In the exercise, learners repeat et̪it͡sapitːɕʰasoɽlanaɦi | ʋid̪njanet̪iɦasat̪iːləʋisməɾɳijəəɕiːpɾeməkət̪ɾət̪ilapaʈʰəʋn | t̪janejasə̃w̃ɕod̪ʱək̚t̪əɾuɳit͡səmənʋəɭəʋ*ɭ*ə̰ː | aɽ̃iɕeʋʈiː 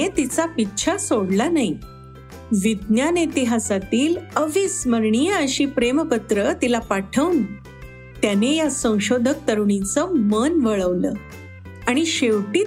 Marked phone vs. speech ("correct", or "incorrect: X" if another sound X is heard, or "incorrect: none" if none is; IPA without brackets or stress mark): incorrect: l